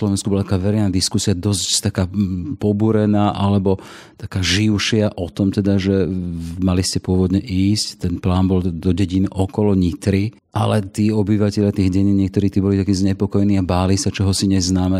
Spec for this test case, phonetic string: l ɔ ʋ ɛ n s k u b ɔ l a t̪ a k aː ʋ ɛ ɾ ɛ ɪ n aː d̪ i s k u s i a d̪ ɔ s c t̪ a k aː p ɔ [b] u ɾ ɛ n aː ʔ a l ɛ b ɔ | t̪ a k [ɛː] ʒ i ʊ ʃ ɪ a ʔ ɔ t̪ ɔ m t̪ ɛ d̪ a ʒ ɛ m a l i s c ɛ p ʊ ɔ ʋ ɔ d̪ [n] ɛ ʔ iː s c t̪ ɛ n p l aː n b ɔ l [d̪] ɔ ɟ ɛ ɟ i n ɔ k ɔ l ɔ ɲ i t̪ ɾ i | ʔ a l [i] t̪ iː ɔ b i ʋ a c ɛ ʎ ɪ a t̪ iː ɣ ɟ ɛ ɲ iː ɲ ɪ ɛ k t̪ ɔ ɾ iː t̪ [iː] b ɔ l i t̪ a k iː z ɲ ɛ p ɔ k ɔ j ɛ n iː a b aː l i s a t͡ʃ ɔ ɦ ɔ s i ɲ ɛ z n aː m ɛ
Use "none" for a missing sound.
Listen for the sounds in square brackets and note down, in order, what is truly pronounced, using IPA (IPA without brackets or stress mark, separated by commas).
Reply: b, aː, ɲ, d̪, ɛ, iː